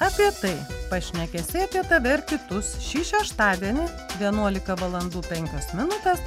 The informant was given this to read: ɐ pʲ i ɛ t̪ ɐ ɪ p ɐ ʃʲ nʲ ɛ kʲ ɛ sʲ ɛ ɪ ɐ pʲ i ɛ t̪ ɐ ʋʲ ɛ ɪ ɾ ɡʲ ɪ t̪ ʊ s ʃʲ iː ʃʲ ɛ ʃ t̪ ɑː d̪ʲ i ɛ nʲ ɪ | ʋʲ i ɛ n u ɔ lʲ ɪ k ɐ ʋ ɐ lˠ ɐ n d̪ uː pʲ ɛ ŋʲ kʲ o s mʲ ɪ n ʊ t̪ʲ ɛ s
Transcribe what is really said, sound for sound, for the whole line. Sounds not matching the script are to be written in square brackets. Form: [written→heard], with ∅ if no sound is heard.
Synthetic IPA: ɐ pʲ i ɛ t̪ ɐ ɪ p ɐ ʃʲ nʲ ɛ kʲ ɛ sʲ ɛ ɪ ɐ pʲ i ɛ t̪ ɐ ʋʲ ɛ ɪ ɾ [ɡʲ→kʲ] ɪ t̪ ʊ s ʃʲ iː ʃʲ ɛ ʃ t̪ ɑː d̪ʲ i ɛ nʲ ɪ | ʋʲ i ɛ n u ɔ lʲ ɪ k ɐ ʋ ɐ lˠ ɐ n d̪ uː pʲ ɛ ŋʲ kʲ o s mʲ ɪ n ʊ t̪ʲ ɛ s